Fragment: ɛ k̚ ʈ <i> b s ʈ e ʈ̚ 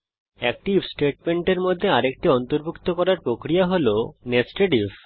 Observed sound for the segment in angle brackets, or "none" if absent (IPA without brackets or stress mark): i